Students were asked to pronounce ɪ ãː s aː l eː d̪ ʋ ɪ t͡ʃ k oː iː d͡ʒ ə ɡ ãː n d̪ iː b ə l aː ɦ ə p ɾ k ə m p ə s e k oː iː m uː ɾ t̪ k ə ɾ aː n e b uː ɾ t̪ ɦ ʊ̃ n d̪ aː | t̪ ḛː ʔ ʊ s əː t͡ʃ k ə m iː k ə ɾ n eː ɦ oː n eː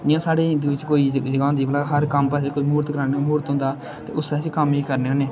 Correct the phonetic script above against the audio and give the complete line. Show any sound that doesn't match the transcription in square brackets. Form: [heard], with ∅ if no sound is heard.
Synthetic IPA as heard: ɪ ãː s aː [ɽ] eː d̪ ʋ ɪ t͡ʃ k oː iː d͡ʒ ə ɡ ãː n d̪ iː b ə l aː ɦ ə [∅] ɾ k ə m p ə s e k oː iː m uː ɾ t̪ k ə ɾ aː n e [m] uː ɾ t̪ ɦ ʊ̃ n d̪ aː | t̪ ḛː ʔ ʊ s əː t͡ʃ k ə m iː k ə ɾ n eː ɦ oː n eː